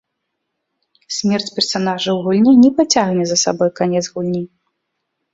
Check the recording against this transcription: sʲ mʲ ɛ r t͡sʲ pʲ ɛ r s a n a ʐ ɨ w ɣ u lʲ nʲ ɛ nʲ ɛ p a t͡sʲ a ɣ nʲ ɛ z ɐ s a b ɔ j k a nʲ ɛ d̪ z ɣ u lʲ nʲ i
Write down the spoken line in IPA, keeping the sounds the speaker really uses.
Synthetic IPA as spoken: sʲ mʲ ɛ r t͡sʲ pʲ ɛ r s a n a ʐ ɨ w ɣ u lʲ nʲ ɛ nʲ ɛ p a t͡sʲ a ɣ nʲ ɛ z ɐ s a b ɔ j k a nʲ ɛ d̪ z ɣ u lʲ nʲ i